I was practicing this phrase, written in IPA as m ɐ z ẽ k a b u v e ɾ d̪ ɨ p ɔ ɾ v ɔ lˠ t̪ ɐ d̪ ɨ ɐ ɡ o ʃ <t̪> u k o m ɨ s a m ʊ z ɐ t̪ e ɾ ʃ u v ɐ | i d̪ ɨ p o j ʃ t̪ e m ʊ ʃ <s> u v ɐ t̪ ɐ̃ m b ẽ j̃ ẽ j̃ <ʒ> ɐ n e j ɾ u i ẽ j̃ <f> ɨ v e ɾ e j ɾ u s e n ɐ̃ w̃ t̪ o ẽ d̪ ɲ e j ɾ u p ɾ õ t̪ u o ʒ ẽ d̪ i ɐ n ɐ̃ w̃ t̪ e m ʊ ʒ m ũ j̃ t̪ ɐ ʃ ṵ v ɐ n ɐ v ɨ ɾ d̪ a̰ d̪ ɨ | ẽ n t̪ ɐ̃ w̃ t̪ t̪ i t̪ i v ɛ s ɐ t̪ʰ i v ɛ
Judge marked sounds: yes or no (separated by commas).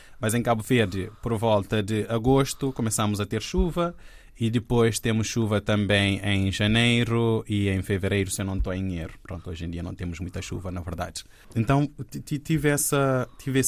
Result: yes, no, yes, yes